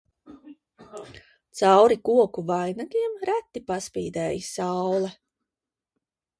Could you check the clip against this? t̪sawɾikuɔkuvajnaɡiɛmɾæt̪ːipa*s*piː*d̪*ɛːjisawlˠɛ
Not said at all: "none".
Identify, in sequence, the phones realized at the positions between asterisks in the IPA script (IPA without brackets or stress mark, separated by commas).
s, d̪